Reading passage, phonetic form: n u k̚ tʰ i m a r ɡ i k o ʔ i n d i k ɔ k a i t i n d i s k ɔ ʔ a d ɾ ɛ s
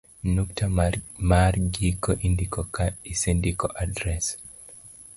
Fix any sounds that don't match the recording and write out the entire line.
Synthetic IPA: n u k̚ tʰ a m a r ɡ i k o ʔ i n d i k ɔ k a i s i n d i k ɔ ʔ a d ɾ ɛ s